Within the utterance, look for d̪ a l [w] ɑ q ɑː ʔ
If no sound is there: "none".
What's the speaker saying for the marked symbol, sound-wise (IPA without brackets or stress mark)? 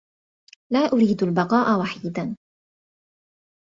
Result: b